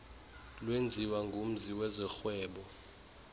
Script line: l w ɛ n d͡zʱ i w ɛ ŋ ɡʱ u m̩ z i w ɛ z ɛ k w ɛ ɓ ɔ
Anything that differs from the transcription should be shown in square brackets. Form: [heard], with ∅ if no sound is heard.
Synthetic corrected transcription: l w [e] n d͡zʱ i w [a] ŋ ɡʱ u m̩ z i w ɛ z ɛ [x] w [ɛː] ɓ ɔ